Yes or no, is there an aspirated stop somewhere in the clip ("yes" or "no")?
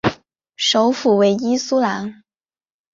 no